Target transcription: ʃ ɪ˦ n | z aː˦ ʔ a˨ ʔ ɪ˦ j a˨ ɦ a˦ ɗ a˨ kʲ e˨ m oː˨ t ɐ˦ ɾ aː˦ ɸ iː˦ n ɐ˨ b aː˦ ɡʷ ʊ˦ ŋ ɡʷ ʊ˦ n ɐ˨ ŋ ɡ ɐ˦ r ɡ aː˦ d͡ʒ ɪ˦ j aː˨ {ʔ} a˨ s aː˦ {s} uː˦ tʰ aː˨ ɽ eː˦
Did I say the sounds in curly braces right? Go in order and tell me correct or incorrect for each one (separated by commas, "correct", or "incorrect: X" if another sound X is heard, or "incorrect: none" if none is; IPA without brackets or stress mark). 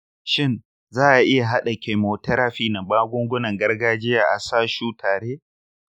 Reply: correct, incorrect: ʃ